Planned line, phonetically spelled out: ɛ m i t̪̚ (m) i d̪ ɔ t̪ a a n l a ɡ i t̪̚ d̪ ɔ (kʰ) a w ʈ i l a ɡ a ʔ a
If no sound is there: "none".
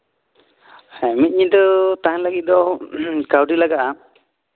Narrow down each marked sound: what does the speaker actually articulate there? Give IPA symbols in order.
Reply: ɲ, k

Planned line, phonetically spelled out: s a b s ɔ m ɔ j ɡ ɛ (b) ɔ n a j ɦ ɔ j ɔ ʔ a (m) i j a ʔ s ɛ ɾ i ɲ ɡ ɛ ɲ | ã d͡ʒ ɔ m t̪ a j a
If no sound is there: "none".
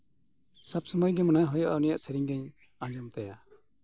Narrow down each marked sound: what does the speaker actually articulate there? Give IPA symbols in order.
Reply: m, n

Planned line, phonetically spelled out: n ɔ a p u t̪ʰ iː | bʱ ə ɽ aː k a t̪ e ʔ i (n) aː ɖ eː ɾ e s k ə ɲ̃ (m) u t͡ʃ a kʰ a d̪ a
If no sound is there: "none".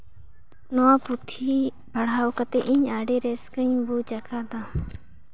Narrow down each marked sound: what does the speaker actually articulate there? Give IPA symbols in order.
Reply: ɲ, b

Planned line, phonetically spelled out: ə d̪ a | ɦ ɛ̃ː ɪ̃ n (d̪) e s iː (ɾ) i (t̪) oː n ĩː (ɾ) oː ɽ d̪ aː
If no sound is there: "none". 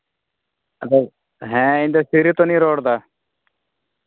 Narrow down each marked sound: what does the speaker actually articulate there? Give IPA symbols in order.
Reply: d̪, ɾ, t̪, ɾ

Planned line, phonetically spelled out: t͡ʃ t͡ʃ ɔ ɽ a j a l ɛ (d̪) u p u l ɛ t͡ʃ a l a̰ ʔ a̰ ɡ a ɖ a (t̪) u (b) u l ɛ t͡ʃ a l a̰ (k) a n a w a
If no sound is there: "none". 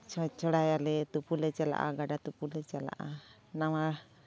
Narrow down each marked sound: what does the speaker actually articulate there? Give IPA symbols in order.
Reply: t̪, t̪, p, ʔ

